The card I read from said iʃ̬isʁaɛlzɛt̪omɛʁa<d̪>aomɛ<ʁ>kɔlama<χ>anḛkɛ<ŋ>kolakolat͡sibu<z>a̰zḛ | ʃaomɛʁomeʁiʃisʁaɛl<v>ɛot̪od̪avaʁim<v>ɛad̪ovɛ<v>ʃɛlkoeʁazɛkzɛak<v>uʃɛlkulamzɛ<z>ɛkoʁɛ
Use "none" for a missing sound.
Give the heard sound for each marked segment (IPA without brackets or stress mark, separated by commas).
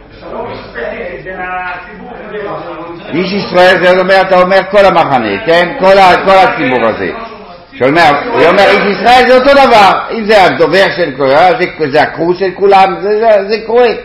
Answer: t̪, ʁ, χ, n, ʁ, z, z, ʁ, ʁ, z